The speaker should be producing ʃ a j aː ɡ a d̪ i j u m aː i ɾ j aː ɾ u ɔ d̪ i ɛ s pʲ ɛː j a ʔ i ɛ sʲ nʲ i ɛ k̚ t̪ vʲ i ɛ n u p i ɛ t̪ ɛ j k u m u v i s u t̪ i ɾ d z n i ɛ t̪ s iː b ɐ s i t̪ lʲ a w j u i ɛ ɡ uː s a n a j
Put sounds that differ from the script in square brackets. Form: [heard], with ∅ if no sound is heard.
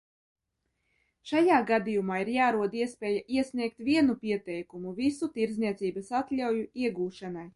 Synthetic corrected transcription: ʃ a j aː ɡ a d̪ i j u m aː i ɾ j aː ɾ u ɔ d̪ i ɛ s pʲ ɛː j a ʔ i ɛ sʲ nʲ i ɛ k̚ t̪ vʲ i ɛ n u p i ɛ t̪ ɛ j k u m u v i s u t̪ i ɾ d z n i ɛ t̪ s iː b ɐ s [a] t̪ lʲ a w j u i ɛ ɡ uː [ʃ] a n a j